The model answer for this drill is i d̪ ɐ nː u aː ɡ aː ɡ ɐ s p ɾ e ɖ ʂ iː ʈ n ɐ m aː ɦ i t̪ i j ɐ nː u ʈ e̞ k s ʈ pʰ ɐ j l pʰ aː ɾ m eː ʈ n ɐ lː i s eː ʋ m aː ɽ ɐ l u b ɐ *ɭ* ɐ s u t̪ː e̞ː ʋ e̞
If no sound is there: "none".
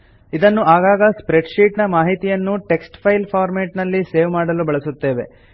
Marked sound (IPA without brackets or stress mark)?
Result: ɭ